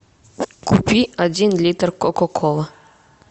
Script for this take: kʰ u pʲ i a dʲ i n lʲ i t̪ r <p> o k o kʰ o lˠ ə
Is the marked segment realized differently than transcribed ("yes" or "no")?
yes